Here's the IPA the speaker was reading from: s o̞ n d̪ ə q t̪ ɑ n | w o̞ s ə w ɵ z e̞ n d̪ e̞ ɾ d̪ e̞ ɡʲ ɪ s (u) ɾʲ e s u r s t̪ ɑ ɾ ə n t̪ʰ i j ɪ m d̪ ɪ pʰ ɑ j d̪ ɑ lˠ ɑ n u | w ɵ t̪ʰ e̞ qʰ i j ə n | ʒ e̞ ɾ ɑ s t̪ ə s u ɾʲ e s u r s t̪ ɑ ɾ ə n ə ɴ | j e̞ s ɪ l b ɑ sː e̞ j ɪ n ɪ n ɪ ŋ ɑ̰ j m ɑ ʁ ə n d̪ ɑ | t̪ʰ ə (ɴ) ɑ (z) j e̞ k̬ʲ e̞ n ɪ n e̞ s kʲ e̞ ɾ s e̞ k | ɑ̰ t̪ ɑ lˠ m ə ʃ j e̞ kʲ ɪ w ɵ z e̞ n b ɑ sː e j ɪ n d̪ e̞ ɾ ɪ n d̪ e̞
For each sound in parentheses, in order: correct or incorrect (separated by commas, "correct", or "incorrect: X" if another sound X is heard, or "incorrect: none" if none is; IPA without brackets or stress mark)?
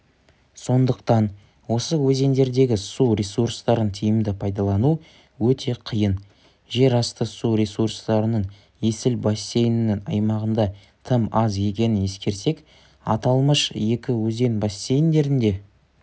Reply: correct, incorrect: m, correct